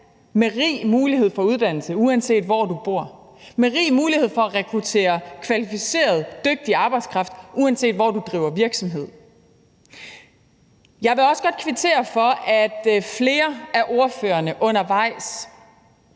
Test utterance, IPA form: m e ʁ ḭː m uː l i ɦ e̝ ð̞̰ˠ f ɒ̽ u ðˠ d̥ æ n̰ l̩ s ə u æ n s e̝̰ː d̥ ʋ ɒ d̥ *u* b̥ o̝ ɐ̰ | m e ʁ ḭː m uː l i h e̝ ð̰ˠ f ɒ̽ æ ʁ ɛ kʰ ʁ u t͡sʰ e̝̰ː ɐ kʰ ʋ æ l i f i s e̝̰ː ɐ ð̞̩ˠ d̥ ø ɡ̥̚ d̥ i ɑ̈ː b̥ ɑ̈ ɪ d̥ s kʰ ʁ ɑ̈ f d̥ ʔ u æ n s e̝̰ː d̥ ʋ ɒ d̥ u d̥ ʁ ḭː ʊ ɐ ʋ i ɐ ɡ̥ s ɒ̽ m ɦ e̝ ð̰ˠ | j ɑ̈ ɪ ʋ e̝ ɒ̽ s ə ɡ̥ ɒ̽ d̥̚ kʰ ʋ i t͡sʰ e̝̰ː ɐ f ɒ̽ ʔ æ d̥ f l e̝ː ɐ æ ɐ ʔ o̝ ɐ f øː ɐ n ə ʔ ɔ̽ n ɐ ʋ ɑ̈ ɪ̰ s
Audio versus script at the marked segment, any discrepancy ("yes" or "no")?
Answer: no